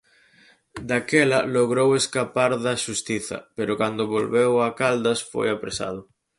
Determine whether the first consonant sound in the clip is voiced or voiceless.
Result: voiced